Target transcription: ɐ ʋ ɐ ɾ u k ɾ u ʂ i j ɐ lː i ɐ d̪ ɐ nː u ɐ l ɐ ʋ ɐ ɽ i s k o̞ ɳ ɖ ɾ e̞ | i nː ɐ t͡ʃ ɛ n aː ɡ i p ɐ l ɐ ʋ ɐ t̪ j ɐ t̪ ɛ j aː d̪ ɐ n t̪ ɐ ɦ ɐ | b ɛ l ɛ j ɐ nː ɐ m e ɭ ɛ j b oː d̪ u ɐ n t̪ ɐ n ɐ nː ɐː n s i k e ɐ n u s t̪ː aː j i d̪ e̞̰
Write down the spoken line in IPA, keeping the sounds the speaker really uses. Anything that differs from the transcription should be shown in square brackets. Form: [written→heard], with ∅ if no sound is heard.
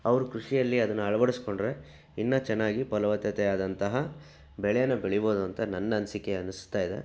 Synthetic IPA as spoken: ɐ ʋ ɐ ɾ u k ɾ u ʂ i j ɐ lː i ɐ d̪ ɐ nː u ɐ [l→ɭ] ɐ ʋ ɐ ɽ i s k o̞ ɳ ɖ ɾ e̞ | i nː ɐ t͡ʃ ɛ [n→nː] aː ɡ i p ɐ l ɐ ʋ ɐ t̪ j ɐ t̪ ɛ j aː d̪ ɐ n t̪ ɐ ɦ ɐ | b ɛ [l→ɭ] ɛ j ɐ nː ɐ [m→b] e ɭ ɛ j b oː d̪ u ɐ n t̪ ɐ n ɐ nː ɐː n s i k e ɐ n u s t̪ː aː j i d̪ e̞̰